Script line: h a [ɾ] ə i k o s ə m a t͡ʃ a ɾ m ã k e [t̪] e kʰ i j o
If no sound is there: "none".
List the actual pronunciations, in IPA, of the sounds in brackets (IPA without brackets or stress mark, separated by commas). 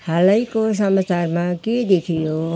l, d̪